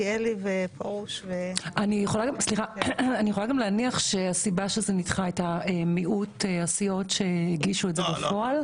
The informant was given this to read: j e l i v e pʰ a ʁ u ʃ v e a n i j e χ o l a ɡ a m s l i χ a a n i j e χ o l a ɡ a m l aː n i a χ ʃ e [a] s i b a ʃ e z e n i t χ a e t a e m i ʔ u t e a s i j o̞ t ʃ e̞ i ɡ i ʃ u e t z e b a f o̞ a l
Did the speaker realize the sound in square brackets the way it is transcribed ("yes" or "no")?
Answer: yes